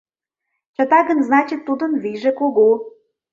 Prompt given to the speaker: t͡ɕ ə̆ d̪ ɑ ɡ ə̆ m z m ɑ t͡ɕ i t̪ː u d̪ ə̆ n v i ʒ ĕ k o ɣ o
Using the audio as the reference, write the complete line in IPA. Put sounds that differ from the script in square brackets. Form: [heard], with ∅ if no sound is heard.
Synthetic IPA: t͡ɕ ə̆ [t̪] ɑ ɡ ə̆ [n] z [n] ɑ t͡ɕ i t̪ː u d̪ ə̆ n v i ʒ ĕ k o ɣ o